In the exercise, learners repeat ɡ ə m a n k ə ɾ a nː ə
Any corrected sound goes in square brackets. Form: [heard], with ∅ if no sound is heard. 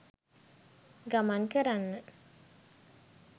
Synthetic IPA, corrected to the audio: ɡ [a] m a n k ə ɾ a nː ə